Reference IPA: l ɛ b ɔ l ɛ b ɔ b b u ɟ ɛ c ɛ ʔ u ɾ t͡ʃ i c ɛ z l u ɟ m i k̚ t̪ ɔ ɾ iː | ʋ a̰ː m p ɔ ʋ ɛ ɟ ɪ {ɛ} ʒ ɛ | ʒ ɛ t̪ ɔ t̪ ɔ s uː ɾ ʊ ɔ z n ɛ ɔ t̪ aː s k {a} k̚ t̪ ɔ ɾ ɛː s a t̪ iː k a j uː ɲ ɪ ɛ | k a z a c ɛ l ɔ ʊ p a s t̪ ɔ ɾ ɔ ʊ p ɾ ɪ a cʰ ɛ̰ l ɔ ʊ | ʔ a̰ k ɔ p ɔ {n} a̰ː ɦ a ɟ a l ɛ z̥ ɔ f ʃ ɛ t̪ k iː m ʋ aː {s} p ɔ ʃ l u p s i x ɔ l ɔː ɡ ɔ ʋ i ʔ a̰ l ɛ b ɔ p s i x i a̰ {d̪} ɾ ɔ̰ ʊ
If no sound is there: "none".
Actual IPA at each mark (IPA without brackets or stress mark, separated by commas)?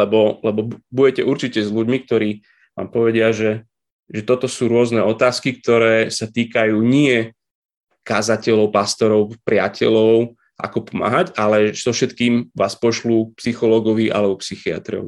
a, i, m, s, t̪